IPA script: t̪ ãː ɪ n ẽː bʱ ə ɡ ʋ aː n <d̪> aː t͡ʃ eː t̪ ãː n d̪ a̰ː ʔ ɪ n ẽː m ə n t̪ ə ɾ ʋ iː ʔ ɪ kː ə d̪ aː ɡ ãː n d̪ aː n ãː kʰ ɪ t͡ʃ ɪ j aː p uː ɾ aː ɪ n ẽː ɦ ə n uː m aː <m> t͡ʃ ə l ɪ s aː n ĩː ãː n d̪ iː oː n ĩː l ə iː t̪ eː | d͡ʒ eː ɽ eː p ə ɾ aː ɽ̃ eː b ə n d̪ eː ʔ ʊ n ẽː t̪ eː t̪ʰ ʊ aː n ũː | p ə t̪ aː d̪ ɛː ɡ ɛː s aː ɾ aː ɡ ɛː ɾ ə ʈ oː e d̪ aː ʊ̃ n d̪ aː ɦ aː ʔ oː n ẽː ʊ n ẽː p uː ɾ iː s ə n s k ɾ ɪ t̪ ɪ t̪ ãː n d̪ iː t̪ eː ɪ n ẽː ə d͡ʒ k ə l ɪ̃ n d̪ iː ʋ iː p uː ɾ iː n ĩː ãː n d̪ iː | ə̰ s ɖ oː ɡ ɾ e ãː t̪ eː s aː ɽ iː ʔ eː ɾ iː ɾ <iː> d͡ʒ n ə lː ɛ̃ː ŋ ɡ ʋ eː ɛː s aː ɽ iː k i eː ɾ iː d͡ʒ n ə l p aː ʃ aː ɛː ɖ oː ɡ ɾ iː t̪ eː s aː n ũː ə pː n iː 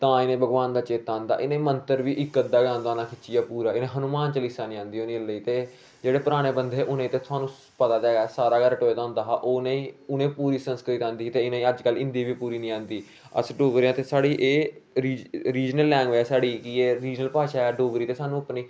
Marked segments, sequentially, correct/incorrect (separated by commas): correct, incorrect, correct